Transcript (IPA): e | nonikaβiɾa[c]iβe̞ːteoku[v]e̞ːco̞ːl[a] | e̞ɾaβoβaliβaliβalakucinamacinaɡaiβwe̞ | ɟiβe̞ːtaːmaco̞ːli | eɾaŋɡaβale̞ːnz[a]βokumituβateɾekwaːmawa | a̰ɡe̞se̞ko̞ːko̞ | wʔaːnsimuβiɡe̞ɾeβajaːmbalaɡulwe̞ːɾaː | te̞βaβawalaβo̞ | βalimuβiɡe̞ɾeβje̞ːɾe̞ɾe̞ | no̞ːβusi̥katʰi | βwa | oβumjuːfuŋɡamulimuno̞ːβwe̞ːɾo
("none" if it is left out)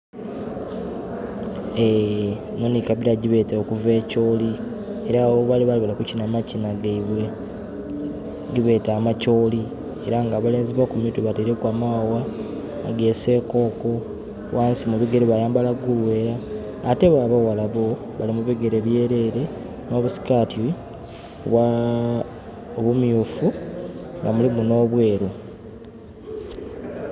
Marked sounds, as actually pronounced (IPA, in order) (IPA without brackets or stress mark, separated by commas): ɟ, v, i, i